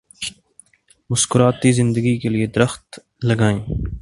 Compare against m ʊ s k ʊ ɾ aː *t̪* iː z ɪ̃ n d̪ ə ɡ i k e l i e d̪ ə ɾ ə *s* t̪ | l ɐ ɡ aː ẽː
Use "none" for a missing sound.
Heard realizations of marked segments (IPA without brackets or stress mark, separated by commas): t̪, x